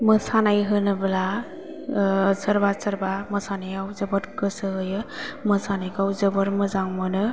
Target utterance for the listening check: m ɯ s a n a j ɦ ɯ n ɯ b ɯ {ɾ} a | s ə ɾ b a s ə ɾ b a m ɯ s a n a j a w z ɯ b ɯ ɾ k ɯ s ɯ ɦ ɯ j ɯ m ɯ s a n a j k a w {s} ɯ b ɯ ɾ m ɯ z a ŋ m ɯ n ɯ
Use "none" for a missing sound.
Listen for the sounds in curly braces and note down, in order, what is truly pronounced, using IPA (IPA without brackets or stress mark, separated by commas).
l, z